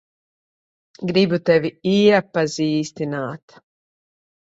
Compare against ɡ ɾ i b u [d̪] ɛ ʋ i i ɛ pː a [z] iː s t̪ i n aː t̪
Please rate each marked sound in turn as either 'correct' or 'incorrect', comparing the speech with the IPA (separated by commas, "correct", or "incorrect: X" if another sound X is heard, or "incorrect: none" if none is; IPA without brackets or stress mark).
incorrect: t̪, correct